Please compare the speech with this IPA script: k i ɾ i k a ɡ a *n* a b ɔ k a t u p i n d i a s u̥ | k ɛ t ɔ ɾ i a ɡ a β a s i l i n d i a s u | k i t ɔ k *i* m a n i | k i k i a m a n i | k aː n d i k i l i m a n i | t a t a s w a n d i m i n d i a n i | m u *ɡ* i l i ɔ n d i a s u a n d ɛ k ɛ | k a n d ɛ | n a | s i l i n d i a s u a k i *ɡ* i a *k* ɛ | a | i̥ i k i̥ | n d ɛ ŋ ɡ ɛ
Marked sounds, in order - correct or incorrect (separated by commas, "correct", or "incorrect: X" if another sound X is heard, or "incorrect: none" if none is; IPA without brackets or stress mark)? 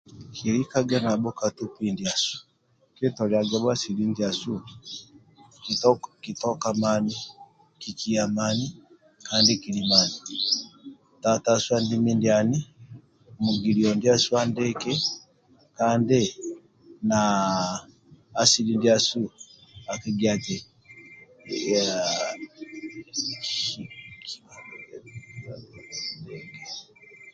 correct, incorrect: a, correct, correct, incorrect: t